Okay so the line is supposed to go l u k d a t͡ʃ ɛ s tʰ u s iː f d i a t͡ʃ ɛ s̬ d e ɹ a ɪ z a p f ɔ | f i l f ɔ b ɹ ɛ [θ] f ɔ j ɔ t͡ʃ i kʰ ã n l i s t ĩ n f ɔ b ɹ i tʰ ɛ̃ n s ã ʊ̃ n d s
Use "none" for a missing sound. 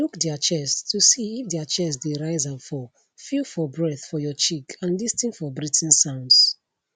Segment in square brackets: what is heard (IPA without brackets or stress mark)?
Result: θ